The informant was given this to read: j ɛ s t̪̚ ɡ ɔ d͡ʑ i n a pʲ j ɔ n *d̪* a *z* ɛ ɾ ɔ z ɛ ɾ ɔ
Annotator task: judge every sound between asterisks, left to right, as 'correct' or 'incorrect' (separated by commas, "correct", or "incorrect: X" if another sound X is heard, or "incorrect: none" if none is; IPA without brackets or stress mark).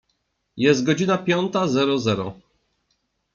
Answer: incorrect: t̪, correct